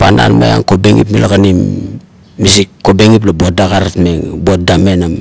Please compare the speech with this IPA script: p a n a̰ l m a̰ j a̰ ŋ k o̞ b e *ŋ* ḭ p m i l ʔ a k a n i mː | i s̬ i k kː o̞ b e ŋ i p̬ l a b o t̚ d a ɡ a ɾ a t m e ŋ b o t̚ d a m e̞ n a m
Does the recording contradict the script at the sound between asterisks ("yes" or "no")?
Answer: no